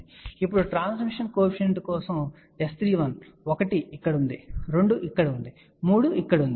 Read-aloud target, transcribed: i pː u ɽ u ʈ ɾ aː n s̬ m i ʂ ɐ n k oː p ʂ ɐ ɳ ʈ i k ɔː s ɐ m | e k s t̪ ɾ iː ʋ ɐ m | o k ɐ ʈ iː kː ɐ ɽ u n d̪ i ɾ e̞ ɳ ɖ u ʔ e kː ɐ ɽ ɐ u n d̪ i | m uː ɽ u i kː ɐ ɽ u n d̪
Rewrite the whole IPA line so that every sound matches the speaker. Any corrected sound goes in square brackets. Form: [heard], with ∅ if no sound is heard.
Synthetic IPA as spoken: i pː u ɽ u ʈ ɾ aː n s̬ m i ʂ ɐ n k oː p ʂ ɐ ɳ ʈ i k ɔː s ɐ m | e [∅] s t̪ ɾ iː ʋ ɐ [n] | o k ɐ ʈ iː kː ɐ ɽ u n d̪ i ɾ e̞ ɳ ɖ u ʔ [i] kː ɐ ɽ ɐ u n d̪ i | m uː ɽ u i kː ɐ ɽ u n d̪

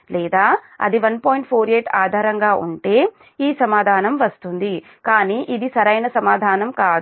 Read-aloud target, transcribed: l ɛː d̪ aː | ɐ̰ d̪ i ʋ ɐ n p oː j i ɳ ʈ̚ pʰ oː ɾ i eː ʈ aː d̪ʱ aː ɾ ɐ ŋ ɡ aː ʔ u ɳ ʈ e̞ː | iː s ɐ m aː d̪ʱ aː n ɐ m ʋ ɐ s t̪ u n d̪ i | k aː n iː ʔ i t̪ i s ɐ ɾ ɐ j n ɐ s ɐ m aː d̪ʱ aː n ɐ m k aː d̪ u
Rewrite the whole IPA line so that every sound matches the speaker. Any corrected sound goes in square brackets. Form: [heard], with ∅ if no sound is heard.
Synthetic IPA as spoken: l ɛː d̪ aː | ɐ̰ d̪ i ʋ ɐ n p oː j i ɳ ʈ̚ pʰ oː ɾ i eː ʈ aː d̪ʱ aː ɾ ɐ ŋ ɡ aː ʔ u ɳ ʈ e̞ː | iː s ɐ m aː d̪ʱ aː n ɐ m ʋ ɐ s t̪ u n d̪ i | k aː n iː ʔ i [d̪] i s ɐ ɾ ɐ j n ɐ s ɐ m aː d̪ʱ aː n ɐ m k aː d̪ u

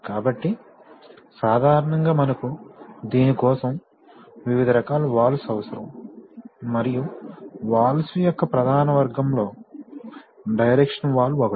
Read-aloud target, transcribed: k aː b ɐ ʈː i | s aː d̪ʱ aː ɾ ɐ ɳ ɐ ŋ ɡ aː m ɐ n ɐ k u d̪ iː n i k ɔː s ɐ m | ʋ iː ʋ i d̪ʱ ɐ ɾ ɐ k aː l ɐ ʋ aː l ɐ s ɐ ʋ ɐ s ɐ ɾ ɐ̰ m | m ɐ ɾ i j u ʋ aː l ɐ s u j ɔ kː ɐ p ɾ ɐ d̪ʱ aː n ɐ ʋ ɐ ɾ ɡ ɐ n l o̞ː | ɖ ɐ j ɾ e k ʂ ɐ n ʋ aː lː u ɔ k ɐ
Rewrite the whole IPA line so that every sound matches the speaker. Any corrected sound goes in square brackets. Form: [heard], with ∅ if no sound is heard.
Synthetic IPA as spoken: k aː b ɐ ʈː i | s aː d̪ʱ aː ɾ ɐ ɳ ɐ ŋ ɡ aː m ɐ n ɐ k u d̪ iː n i k ɔː s ɐ m | ʋ [i] ʋ i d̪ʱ ɐ ɾ ɐ k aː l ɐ ʋ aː l ɐ s ɐ ʋ ɐ s ɐ ɾ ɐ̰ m | m ɐ ɾ i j u ʋ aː l ɐ s u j ɔ kː ɐ p ɾ ɐ d̪ʱ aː n ɐ ʋ ɐ ɾ ɡ ɐ [m] l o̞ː | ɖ ɐ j ɾ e k ʂ ɐ n ʋ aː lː u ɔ k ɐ

